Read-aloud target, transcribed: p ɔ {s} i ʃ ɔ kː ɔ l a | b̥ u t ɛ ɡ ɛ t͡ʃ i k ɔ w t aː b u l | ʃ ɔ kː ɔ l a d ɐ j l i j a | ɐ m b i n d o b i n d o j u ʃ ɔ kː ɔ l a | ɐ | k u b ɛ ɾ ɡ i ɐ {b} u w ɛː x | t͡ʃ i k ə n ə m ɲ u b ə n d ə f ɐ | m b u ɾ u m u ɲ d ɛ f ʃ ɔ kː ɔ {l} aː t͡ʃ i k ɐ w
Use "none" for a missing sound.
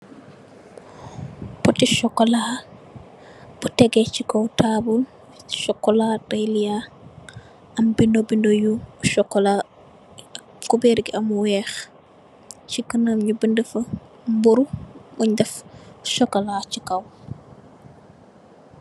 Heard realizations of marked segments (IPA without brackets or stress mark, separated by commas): t, m, l